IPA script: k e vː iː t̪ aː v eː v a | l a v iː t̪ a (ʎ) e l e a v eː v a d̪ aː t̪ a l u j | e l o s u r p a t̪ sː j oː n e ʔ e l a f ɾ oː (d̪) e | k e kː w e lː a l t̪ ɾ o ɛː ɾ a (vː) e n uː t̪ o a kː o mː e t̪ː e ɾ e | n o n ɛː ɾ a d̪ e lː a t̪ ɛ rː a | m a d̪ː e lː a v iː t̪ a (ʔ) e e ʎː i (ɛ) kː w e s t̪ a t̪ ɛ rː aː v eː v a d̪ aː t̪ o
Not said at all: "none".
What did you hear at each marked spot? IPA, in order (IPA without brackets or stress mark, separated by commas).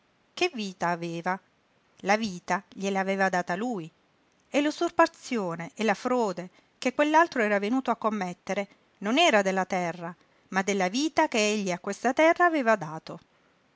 ʎ, d̪, v, k, a